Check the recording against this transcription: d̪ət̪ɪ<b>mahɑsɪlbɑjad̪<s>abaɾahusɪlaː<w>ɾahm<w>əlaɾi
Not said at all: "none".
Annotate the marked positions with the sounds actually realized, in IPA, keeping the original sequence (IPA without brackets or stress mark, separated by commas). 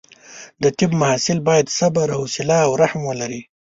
b, s, w, w